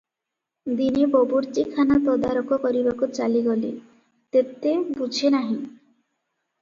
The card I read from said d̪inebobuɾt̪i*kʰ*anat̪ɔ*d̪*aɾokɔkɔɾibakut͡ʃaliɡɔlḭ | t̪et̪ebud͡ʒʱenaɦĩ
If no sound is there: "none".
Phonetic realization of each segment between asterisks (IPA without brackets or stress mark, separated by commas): kʰ, d̪